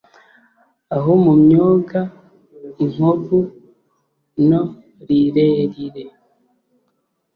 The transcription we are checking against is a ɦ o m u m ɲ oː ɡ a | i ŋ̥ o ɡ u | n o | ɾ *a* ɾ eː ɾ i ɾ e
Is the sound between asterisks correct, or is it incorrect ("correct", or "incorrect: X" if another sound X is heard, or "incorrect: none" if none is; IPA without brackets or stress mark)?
incorrect: i